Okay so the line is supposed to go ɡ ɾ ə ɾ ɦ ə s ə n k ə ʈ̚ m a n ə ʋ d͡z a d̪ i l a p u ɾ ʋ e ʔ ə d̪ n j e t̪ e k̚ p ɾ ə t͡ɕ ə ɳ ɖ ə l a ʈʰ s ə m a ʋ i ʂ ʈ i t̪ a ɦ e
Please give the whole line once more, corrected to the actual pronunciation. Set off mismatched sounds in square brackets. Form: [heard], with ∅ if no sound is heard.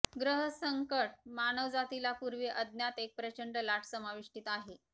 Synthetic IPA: ɡ ɾ ə [∅] ɦ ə s ə [ŋ] k ə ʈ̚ m a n ə ʋ d͡z a [t̪] i l a p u ɾ ʋ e ʔ ə d̪ n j [a] t̪ e k̚ p ɾ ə t͡ɕ ə ɳ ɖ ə l a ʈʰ s ə m a ʋ i ʂ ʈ i t̪ a ɦ e